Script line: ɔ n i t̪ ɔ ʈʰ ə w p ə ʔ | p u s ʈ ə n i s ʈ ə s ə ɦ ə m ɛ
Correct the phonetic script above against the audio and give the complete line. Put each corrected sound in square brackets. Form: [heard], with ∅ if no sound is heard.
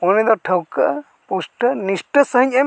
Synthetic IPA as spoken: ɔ n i [d̪] ɔ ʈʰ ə w [k] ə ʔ | p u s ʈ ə n i s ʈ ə s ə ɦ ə [ɲ] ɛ